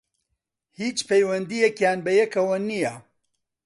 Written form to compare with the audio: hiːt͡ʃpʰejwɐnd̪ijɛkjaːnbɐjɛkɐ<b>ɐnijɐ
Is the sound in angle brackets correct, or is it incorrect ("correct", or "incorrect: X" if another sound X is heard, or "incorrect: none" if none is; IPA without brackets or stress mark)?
incorrect: w